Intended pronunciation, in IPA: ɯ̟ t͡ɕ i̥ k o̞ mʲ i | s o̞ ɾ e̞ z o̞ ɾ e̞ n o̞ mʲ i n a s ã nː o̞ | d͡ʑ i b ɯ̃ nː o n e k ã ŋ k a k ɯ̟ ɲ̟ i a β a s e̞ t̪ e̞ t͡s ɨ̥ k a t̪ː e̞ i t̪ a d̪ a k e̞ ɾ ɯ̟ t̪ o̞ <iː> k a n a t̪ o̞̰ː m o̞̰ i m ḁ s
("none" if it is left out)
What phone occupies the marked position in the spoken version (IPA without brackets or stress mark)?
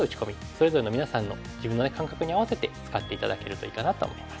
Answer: iː